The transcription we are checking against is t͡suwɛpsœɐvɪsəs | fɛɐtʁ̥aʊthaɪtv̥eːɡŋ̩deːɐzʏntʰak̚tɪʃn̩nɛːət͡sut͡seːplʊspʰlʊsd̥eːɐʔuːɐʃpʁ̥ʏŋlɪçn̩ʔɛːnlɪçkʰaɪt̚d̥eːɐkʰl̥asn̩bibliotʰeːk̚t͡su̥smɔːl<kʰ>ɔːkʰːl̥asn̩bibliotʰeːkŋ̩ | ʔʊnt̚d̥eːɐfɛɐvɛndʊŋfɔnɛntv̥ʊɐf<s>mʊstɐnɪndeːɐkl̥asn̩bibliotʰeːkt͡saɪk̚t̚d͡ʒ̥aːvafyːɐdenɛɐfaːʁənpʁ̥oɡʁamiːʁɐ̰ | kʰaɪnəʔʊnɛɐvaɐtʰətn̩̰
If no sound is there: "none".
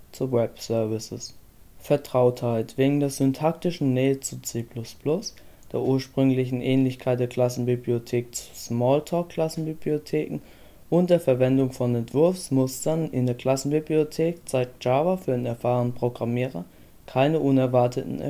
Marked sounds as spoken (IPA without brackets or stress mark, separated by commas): tʰ, s